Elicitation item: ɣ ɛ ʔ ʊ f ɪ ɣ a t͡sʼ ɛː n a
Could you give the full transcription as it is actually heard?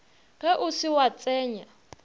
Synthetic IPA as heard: ɣ ɛ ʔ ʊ s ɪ w a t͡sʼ ɛː ɲ a